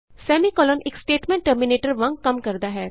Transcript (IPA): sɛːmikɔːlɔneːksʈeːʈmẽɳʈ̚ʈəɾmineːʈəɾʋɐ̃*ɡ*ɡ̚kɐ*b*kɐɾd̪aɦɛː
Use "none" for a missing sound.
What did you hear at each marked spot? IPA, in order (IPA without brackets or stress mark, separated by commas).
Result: ŋ, m